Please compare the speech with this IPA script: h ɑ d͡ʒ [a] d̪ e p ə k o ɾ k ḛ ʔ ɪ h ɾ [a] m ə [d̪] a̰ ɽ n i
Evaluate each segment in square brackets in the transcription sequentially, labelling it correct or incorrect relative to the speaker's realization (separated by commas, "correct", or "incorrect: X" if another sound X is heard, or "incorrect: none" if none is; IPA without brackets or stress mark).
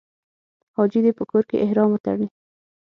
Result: incorrect: i, incorrect: ɑ, incorrect: t̪